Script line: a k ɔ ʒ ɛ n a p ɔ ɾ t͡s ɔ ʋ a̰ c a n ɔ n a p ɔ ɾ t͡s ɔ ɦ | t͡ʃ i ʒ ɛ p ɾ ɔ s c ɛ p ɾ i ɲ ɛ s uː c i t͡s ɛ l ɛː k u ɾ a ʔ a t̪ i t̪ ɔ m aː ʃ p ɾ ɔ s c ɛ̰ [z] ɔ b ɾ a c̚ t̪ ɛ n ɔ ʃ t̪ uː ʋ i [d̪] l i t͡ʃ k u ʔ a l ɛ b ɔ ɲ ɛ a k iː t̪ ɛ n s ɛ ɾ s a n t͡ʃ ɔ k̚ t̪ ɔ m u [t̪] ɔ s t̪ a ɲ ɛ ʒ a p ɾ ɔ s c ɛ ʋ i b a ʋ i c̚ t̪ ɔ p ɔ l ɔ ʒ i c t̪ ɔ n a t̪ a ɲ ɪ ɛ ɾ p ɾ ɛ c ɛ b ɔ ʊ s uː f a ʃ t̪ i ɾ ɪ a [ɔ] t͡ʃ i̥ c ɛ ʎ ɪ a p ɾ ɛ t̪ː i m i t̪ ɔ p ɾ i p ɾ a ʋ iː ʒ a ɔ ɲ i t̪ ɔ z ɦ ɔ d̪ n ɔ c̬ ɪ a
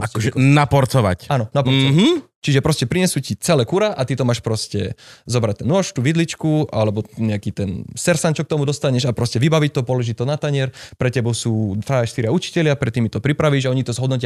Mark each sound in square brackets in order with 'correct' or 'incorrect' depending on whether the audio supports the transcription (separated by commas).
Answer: correct, correct, incorrect, incorrect